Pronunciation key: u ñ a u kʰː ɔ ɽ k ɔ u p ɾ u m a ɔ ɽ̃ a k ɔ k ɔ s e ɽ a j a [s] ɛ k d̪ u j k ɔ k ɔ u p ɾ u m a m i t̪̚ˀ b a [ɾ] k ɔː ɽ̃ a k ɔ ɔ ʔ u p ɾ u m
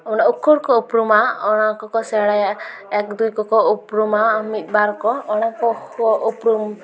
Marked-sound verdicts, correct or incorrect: incorrect, correct

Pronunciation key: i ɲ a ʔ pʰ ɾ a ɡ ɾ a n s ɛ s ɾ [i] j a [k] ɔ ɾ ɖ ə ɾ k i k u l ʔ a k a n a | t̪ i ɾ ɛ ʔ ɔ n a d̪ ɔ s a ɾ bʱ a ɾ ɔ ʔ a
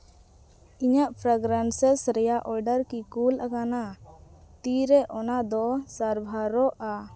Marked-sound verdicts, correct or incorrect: incorrect, incorrect

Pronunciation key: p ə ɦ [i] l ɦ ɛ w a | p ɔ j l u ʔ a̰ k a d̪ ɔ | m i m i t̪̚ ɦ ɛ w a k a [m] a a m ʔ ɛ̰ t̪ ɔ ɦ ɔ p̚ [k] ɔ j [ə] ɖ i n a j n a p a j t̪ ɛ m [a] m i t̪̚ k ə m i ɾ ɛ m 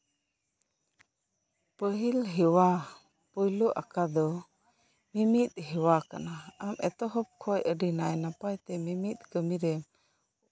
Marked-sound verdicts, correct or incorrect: correct, incorrect, incorrect, correct, incorrect

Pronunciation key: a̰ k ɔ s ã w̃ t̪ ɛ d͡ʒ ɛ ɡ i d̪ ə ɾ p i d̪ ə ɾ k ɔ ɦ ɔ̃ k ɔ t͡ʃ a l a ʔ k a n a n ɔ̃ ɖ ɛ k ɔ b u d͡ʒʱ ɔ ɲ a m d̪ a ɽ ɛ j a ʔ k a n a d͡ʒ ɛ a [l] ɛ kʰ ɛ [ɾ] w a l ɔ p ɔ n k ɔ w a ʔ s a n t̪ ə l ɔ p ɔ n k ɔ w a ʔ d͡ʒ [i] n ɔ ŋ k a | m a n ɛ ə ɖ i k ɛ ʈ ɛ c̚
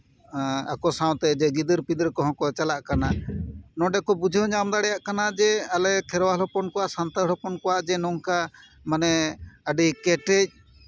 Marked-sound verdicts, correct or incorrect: correct, correct, incorrect

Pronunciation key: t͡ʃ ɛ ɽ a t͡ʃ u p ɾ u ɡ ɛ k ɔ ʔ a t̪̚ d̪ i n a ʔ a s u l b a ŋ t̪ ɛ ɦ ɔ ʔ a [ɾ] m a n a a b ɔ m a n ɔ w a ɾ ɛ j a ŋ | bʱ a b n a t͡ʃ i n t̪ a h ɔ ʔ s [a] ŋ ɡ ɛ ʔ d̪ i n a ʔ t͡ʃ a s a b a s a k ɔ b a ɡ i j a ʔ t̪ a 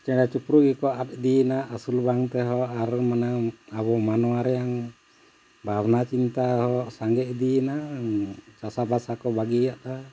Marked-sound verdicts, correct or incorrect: correct, correct

